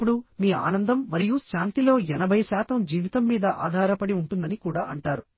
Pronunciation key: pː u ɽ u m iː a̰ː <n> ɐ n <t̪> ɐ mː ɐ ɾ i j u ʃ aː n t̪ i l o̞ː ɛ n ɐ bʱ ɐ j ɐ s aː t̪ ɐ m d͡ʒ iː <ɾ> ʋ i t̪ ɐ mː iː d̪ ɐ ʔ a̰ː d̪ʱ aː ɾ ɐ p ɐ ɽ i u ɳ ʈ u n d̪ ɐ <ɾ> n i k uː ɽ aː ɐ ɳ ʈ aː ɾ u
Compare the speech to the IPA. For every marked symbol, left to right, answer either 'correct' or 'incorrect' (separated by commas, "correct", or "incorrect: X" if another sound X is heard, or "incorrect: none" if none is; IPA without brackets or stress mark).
correct, incorrect: d̪, incorrect: none, incorrect: none